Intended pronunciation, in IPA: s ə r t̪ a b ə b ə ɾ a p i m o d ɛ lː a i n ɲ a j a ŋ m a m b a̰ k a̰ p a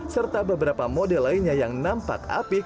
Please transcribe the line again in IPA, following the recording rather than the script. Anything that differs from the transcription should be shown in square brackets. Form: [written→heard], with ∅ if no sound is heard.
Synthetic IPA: s ə r t̪ a b ə b ə ɾ a p [i→a] m o d ɛ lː a i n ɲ a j a ŋ [m→n] a m [b→p] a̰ k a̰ p [a→i]